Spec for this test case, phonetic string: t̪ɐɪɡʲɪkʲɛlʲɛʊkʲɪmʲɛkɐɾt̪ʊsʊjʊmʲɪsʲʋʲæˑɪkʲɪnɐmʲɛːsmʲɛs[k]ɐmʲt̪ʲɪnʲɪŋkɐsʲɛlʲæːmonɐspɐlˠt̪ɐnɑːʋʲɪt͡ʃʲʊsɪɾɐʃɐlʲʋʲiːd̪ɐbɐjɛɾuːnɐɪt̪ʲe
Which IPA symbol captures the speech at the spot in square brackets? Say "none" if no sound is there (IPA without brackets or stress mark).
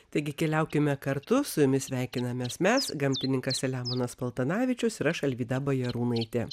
ɡ